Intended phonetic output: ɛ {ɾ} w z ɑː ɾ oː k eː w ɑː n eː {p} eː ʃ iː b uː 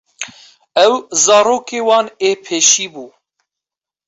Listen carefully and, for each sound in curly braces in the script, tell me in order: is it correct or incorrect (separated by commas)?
incorrect, incorrect